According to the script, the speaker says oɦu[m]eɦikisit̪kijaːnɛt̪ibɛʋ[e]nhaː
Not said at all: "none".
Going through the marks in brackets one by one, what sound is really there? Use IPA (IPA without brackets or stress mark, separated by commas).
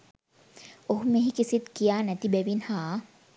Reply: m, i